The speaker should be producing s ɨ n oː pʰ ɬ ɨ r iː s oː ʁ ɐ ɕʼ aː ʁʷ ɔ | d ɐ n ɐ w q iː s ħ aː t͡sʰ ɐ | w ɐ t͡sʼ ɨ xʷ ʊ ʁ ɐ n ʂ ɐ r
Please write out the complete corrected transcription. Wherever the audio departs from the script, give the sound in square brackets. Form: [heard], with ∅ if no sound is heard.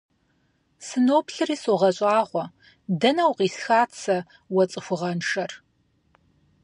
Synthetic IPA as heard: s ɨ n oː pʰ ɬ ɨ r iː s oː ʁ ɐ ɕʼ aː ʁʷ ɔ | d ɐ n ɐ w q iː s [x] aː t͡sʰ ɐ | w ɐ t͡sʼ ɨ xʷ ʊ ʁ ɐ n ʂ ɐ r